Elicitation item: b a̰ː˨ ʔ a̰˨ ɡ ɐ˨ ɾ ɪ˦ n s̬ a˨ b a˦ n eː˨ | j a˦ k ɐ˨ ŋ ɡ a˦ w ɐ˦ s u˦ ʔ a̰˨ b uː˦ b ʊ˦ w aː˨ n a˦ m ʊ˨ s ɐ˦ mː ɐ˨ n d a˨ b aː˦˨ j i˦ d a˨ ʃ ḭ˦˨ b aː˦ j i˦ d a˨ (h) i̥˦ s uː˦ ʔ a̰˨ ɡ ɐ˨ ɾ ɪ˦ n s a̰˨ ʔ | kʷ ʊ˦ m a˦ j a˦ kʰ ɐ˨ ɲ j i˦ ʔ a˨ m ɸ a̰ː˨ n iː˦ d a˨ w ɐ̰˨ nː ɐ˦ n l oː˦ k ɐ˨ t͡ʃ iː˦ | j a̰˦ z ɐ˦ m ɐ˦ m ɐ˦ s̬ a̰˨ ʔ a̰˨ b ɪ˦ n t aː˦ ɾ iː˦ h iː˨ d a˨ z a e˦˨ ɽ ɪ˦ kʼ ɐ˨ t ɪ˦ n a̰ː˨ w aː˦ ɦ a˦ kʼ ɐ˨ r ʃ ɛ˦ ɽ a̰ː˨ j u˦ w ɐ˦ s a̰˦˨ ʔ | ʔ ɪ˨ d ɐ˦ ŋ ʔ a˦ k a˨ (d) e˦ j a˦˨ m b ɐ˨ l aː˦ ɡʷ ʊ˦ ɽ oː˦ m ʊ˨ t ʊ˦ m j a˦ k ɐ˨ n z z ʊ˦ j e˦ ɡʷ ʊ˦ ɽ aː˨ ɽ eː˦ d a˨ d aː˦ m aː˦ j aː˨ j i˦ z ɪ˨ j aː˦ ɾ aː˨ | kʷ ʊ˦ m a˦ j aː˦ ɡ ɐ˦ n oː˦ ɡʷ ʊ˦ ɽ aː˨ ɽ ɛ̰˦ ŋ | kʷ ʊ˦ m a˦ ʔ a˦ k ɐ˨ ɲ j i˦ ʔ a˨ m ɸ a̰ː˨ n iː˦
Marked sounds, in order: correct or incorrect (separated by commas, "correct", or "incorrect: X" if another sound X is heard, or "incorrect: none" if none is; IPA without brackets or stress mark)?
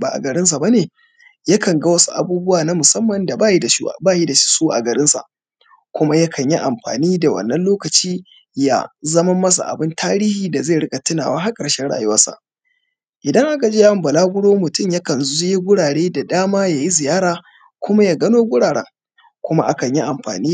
incorrect: ʃ, incorrect: d͡ʒ